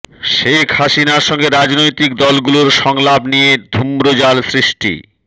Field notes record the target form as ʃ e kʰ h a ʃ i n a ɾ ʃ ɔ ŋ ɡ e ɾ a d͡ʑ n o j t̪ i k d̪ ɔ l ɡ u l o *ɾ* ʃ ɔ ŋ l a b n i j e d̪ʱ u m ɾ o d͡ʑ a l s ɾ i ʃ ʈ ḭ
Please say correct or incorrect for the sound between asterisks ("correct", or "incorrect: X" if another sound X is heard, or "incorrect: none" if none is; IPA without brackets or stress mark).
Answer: correct